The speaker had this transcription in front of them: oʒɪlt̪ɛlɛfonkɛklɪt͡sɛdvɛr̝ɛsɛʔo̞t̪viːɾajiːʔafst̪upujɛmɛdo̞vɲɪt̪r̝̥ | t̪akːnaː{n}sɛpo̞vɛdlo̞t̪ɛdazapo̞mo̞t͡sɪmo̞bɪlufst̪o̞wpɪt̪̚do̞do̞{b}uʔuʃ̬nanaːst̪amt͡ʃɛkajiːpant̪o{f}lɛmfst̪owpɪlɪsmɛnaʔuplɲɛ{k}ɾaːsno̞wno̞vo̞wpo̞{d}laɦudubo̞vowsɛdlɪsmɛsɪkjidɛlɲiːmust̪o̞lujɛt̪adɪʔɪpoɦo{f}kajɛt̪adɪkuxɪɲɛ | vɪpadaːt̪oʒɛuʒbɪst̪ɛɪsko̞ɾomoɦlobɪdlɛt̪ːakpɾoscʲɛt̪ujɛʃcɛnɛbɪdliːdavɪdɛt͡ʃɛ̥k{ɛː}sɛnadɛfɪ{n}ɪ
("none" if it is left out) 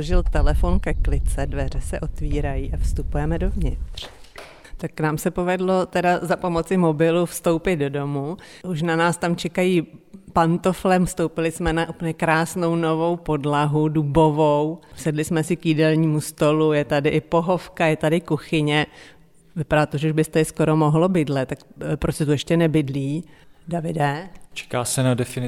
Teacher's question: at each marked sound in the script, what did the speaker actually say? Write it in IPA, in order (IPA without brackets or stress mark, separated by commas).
m, m, f, k, d, f, aː, n